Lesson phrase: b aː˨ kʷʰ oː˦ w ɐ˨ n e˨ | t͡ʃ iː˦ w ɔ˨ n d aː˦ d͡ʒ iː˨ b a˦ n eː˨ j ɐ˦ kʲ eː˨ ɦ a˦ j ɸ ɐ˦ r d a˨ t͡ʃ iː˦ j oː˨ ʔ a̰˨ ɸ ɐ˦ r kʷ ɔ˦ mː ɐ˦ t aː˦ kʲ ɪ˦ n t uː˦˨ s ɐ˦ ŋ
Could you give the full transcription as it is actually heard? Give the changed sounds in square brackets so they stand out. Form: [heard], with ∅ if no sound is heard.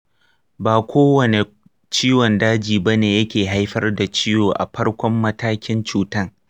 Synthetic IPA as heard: b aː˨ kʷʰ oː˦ w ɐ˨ n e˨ | t͡ʃ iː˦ w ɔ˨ n d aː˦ d͡ʒ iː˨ b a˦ n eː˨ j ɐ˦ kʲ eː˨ ɦ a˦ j ɸ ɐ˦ r d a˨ t͡ʃ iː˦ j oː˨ ʔ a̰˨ ɸ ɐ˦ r kʷ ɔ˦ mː ɐ˦ t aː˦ kʲ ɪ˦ n [t͡ʃ] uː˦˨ [t] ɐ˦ ŋ